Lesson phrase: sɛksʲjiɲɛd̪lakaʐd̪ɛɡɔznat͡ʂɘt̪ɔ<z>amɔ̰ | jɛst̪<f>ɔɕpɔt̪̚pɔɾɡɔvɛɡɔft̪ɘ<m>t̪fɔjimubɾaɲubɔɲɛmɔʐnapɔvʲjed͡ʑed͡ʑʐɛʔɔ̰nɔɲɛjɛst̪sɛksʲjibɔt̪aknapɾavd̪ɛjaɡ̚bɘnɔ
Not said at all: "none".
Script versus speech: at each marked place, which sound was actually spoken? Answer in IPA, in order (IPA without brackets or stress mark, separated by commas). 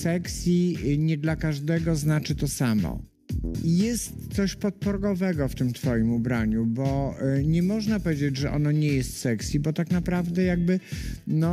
s, s, m